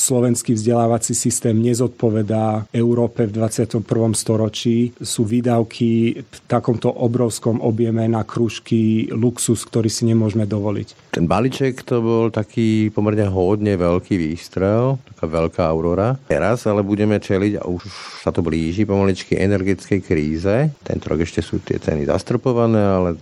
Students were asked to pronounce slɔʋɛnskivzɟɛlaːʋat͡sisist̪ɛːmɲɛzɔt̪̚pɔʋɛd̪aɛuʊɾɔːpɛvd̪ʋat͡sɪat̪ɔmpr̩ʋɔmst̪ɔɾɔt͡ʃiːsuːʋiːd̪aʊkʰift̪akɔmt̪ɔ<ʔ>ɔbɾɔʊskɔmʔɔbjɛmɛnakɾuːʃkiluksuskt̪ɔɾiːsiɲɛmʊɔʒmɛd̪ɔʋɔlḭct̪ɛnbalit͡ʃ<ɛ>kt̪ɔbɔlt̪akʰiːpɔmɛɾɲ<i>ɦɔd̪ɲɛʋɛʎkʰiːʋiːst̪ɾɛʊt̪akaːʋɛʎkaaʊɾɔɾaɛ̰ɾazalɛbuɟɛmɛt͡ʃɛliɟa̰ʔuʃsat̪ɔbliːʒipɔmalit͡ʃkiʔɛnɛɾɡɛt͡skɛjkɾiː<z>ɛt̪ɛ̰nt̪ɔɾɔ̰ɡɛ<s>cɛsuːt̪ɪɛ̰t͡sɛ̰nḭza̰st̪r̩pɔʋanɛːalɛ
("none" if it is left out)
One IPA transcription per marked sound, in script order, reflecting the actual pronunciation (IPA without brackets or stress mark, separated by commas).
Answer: ʔ, ɛ, ɛ, z, ʃ